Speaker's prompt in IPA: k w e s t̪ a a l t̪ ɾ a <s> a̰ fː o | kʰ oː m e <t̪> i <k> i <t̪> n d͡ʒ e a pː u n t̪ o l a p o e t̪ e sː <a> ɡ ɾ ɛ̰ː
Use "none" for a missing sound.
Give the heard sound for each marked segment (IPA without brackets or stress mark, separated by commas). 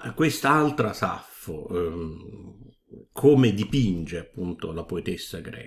s, d̪, p, none, a